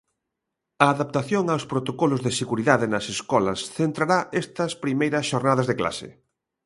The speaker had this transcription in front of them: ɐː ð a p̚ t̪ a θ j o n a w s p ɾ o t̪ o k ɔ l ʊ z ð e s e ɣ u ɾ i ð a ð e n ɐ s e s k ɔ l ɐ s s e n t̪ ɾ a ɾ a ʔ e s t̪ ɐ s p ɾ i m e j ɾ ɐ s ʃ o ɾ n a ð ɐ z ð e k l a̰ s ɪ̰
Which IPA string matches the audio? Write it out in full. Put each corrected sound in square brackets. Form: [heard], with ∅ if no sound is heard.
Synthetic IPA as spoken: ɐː ð a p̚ t̪ a θ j o [ŋ] a w s p ɾ o t̪ o k ɔ l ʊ z ð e s e ɣ u ɾ i ð a ð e n ɐ s e s k ɔ l ɐ s [θ] e n t̪ ɾ a ɾ a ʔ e s t̪ ɐ s p ɾ i m e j ɾ ɐ s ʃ o ɾ n a ð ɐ z ð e k l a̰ s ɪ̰